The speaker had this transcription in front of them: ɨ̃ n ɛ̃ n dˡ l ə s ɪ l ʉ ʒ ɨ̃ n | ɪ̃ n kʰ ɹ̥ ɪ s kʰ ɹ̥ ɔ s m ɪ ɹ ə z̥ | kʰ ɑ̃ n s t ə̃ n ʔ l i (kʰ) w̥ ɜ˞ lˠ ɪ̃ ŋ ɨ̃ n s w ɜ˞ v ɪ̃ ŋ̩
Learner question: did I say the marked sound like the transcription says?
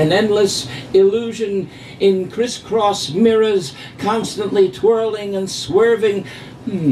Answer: no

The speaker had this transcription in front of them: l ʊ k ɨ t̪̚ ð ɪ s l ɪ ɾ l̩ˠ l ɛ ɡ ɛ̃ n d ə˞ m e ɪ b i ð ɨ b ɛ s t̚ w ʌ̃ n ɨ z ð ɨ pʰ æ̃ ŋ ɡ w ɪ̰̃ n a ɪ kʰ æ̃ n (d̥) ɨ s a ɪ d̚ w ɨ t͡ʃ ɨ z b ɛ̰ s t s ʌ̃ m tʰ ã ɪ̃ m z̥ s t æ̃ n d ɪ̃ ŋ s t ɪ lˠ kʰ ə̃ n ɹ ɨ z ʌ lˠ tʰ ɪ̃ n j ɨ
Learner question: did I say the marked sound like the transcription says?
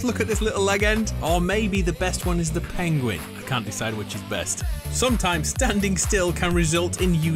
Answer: yes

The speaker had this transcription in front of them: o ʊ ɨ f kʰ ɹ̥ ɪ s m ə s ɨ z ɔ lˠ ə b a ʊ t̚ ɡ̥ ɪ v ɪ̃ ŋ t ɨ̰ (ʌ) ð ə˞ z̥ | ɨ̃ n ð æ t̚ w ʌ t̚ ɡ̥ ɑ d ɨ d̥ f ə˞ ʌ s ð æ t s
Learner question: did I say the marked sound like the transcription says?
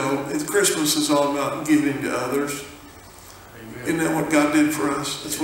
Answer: yes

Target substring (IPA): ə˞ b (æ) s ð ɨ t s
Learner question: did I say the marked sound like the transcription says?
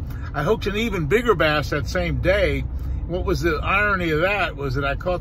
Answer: yes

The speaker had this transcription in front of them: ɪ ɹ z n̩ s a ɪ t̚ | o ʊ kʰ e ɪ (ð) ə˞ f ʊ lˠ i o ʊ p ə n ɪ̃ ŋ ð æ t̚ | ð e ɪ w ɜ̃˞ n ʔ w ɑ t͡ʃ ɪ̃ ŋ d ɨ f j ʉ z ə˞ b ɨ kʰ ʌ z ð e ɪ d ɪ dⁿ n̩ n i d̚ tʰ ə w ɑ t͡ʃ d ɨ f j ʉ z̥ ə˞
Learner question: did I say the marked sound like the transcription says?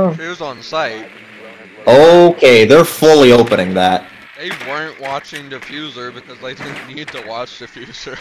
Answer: yes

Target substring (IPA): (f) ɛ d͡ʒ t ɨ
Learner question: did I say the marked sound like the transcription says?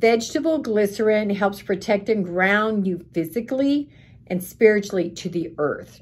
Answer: no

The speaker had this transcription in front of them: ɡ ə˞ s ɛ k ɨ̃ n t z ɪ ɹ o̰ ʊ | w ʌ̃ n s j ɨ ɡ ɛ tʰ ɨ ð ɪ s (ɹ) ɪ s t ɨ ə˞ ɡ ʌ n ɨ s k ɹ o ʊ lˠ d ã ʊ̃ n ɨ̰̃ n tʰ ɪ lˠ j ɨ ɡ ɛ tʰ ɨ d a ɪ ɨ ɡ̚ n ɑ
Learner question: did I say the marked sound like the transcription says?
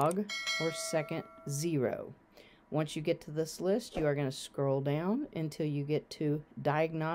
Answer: no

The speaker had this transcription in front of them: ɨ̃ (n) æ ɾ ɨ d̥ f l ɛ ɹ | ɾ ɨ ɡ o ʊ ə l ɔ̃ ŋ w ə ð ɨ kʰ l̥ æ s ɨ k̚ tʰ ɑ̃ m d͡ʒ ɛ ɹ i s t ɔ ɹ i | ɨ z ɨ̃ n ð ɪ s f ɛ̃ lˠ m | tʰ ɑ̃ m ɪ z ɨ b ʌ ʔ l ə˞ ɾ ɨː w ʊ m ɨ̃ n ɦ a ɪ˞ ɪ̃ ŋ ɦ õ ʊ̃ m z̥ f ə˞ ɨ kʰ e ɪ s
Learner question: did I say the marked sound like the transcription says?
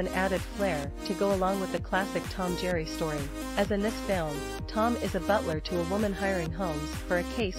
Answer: yes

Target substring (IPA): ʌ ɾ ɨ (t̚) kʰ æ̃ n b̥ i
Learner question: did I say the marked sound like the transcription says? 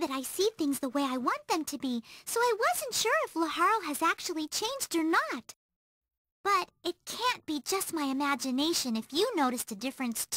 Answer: yes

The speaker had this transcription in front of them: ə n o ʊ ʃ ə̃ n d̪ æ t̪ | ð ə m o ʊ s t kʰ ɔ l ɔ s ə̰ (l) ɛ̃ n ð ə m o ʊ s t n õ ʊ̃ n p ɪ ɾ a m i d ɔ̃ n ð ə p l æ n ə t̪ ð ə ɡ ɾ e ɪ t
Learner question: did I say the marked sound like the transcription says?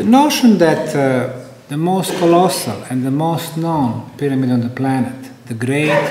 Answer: yes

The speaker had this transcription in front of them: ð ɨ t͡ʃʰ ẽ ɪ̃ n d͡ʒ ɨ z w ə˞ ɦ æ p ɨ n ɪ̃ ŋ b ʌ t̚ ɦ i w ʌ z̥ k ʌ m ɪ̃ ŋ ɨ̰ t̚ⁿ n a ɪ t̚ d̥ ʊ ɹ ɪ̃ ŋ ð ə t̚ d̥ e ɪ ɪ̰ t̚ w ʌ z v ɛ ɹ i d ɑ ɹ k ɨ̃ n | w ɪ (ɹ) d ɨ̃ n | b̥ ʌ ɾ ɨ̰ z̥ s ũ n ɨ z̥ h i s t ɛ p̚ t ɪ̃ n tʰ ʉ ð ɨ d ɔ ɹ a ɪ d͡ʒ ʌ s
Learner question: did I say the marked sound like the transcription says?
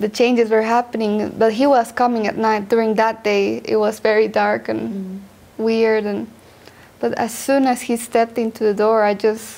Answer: yes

